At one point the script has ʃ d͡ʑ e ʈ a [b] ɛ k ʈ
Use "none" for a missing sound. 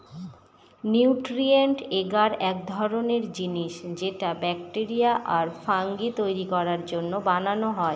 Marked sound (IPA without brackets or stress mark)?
b